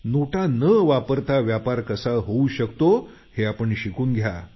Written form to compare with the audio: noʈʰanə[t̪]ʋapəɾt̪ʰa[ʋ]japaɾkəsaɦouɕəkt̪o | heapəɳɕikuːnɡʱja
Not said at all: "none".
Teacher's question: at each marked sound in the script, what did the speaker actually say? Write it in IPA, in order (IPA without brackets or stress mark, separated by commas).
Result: none, ʋ